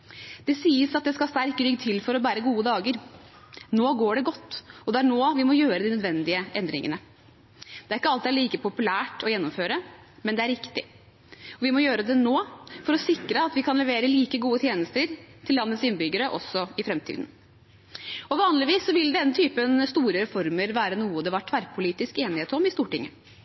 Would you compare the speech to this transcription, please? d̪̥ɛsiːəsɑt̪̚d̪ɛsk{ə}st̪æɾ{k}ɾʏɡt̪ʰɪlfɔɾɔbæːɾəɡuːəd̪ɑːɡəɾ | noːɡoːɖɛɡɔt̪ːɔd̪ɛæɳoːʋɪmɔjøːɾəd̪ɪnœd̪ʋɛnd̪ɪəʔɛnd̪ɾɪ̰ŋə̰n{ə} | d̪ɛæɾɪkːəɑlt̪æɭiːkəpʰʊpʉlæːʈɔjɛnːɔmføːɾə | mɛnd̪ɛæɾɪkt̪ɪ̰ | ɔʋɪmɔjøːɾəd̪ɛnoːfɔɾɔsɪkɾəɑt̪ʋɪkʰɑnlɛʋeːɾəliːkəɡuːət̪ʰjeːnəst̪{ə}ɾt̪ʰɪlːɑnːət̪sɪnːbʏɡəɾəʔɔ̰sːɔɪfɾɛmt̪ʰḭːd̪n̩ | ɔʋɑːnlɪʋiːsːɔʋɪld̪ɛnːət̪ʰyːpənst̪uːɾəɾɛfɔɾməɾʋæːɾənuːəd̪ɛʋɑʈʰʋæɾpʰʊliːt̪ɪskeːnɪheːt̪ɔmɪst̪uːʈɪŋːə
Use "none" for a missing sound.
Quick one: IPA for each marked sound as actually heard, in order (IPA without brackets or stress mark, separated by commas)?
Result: ɑ, k, ə, ə